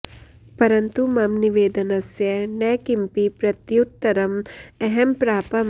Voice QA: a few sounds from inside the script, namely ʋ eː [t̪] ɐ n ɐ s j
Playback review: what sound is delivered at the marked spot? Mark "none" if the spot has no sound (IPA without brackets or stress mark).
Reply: d̪